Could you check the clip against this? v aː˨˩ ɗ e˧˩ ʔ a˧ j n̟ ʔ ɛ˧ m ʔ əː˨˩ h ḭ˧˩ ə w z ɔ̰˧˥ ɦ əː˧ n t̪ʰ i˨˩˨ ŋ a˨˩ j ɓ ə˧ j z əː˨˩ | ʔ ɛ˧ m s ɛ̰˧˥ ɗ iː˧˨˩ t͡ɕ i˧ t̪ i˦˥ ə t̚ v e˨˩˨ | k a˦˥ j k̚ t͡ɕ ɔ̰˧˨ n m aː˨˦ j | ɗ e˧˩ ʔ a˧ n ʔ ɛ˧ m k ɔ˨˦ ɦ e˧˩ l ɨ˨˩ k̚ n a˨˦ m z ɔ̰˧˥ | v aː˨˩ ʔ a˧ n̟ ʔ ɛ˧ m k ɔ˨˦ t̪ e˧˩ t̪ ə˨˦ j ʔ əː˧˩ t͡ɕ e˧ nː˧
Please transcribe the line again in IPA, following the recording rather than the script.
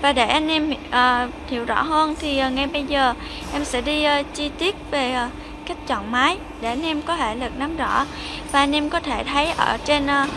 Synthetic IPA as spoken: v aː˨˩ ɗ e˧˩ ʔ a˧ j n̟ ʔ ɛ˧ m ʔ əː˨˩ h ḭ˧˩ ə w z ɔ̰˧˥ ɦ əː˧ n t̪ʰ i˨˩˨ ŋ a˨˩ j ɓ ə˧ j z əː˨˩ | ʔ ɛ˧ m s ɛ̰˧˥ ɗ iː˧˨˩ t͡ɕ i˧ t̪ i˦˥ ə t̚ v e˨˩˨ | k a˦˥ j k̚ t͡ɕ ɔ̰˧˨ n m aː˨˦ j | ɗ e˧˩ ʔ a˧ n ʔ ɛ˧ m k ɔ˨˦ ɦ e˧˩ l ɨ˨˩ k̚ n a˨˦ m z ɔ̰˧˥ | v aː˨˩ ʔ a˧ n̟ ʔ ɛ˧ m k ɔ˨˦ t̪ʰ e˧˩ t̪ʰ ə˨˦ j ʔ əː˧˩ t͡ɕ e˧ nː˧

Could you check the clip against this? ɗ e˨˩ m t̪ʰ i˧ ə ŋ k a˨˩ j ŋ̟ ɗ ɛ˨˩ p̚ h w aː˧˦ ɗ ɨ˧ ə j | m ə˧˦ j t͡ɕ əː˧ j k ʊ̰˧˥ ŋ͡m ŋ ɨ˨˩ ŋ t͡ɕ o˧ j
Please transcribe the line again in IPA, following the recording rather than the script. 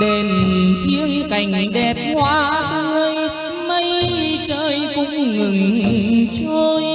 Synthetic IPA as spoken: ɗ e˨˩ n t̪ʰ i˧ ə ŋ k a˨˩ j ŋ̟ ɗ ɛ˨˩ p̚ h w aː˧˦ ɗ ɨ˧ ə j | m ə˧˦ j t͡ɕ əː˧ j k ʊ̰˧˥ ŋ͡m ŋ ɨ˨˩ ŋ t͡ɕ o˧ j

